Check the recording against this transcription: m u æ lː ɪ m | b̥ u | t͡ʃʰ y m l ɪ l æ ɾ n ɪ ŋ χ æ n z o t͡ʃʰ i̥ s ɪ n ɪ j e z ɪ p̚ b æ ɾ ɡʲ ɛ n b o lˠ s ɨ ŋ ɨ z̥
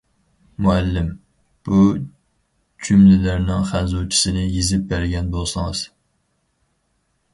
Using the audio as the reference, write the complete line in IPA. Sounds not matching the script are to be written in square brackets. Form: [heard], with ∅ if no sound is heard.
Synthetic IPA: m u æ lː ɪ m | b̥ u | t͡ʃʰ y m l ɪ l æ ɾ n ɪ ŋ χ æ n z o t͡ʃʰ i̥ s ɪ n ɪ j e z ɪ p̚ b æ ɾ ɡʲ ɛ n b o lˠ s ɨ ŋ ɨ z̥